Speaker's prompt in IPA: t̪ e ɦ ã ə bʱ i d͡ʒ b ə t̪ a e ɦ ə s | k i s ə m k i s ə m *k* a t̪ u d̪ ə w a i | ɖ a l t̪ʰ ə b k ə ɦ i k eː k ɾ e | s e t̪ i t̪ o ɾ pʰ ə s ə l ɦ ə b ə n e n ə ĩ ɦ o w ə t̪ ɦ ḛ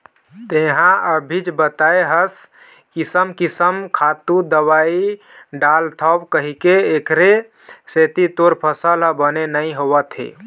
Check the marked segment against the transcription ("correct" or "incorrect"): incorrect